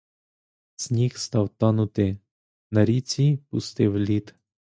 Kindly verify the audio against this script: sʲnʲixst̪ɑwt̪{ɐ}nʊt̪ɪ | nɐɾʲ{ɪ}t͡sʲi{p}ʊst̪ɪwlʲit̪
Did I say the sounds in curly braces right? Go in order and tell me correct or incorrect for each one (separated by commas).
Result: incorrect, incorrect, correct